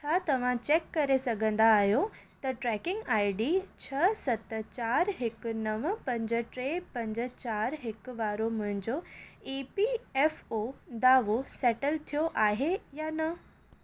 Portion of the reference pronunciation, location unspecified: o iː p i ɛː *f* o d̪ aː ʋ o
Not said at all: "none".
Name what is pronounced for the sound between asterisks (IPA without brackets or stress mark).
f